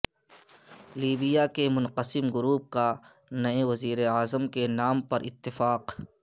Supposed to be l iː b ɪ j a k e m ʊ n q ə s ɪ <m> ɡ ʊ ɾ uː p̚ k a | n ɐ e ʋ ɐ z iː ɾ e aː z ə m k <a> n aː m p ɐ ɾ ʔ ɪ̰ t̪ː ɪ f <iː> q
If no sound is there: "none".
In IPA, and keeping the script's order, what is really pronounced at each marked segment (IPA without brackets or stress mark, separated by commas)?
m, e, aː